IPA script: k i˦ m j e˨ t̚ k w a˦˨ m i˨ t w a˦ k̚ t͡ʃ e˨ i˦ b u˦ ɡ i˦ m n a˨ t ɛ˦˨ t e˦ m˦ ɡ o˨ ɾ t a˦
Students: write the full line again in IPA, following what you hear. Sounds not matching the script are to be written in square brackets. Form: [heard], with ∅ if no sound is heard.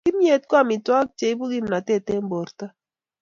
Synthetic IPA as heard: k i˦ m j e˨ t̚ k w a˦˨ m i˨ t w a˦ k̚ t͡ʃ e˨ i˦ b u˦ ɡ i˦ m n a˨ t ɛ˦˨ t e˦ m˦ [b] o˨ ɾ t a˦